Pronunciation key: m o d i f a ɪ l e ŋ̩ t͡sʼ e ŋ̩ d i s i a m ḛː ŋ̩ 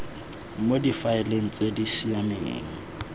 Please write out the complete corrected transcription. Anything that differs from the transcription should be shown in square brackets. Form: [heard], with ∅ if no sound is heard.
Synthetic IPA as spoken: m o d i f a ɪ l e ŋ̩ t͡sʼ e [∅] d i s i a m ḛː ŋ̩